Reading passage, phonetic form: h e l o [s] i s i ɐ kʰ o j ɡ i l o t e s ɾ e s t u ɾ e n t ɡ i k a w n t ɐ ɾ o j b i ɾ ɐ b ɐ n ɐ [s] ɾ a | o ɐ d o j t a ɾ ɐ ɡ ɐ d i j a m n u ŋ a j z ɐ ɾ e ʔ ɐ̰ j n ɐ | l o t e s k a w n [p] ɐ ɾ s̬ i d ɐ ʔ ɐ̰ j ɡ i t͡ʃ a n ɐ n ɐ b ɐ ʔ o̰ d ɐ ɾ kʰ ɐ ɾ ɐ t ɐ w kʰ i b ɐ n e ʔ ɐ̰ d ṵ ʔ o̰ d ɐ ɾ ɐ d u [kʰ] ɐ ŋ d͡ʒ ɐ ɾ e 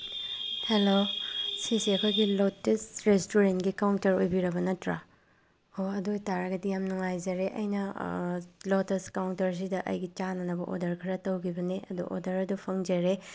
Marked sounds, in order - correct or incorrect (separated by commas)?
correct, incorrect, incorrect, incorrect